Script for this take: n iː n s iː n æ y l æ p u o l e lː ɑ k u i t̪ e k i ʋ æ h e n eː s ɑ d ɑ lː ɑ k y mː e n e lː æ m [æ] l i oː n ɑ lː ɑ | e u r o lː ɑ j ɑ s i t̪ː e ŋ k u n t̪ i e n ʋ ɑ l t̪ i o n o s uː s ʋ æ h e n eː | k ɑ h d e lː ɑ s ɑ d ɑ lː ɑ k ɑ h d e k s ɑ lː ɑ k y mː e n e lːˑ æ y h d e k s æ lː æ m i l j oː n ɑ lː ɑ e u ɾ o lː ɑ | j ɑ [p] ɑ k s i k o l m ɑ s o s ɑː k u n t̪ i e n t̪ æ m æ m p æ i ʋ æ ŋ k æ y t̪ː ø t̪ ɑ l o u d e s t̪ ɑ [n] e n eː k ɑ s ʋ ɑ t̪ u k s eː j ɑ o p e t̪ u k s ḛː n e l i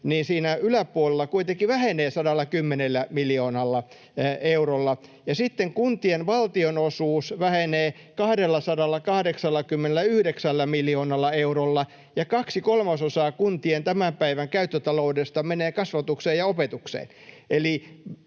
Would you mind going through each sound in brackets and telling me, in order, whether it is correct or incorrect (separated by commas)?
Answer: incorrect, incorrect, incorrect